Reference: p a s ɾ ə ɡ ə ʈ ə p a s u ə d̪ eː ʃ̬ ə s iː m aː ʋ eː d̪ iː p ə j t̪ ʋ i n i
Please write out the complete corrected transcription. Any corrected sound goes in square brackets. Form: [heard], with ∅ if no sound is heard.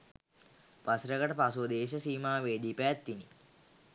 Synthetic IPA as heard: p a s ɾ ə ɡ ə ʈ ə p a s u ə d̪ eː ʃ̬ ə s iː m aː ʋ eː d̪ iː p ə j t̪ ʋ i n i

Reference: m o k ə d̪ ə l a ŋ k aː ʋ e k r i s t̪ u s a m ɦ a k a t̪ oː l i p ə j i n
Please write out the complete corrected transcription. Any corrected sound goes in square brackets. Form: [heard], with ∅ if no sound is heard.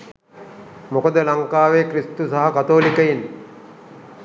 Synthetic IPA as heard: m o k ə d̪ ə l a ŋ k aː ʋ e k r i s t̪ u s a [∅] ɦ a k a t̪ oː l i [k] ə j i n

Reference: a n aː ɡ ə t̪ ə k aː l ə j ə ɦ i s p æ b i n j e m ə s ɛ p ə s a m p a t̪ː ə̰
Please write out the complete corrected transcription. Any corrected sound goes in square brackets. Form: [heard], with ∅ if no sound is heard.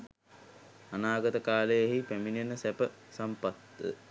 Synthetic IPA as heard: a n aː ɡ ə t̪ ə k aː l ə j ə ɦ i [∅] p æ [m] i n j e [n] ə s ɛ p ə s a m p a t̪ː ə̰

